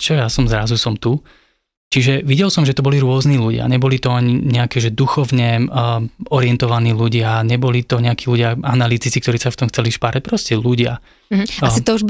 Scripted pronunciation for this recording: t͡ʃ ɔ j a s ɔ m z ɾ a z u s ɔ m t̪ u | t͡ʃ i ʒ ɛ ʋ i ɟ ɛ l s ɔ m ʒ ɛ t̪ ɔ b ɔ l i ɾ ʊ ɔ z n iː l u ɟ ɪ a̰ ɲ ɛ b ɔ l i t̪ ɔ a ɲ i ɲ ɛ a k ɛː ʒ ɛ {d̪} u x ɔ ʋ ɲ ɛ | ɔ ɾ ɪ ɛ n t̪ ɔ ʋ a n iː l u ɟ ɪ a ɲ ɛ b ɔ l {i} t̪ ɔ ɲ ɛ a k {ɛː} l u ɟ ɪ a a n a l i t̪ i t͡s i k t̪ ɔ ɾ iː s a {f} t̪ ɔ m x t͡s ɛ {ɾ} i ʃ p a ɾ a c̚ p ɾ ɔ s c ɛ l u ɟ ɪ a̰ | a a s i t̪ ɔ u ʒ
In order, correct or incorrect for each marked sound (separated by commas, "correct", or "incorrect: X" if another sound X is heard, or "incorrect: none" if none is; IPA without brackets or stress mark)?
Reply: correct, correct, incorrect: iː, correct, incorrect: l